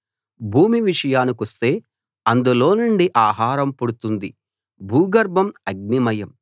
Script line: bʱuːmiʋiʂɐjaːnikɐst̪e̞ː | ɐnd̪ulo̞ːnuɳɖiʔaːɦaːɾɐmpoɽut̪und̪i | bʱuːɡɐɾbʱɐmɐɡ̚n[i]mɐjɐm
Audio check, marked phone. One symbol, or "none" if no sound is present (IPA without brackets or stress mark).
i